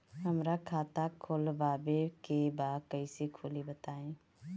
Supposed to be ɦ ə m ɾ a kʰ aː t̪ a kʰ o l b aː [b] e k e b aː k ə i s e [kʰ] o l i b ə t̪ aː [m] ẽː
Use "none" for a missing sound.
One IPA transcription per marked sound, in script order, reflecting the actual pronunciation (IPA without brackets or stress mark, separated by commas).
b, kʰ, none